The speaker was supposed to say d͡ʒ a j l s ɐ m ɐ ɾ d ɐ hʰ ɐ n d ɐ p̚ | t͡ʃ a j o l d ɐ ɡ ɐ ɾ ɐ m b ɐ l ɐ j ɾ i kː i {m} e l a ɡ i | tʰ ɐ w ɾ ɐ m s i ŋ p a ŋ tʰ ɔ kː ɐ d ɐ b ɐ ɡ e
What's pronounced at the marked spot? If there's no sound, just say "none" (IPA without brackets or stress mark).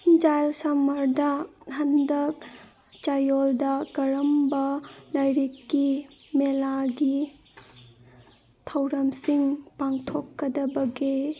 m